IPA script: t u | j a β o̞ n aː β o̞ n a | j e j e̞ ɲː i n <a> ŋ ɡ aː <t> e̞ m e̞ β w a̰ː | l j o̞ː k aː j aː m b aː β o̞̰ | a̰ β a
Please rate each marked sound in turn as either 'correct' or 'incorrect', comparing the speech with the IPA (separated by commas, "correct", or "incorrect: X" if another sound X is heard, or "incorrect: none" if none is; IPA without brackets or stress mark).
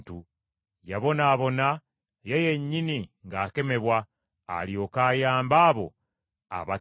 incorrect: i, incorrect: k